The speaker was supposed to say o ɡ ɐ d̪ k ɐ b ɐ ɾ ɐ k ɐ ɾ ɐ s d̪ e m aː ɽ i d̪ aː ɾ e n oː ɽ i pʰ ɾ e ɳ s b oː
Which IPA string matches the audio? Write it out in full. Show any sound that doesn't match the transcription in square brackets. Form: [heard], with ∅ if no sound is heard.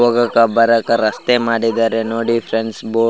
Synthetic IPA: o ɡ ɐ [∅] k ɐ b ɐ ɾ ɐ k ɐ ɾ ɐ s [t̪] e m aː ɽ i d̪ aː ɾ e n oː ɽ i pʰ ɾ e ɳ s b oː